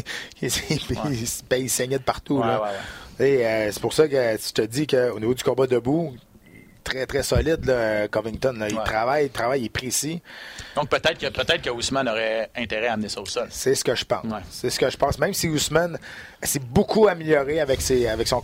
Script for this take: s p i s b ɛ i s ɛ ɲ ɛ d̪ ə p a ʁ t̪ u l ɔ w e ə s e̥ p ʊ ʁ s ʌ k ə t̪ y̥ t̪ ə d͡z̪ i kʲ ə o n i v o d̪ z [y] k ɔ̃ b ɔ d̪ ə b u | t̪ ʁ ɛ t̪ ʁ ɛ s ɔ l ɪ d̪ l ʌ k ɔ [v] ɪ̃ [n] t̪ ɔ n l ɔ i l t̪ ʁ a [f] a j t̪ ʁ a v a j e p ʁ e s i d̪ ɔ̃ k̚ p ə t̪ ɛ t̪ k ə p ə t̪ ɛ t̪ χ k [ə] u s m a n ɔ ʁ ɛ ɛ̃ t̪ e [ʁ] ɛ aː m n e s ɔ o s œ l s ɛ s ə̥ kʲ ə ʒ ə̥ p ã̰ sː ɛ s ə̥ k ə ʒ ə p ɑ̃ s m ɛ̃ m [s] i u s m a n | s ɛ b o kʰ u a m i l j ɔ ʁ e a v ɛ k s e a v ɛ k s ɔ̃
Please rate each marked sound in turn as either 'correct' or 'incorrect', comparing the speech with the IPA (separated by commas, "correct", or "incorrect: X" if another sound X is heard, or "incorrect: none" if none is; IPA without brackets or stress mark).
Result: correct, correct, incorrect: ŋ, incorrect: v, correct, correct, correct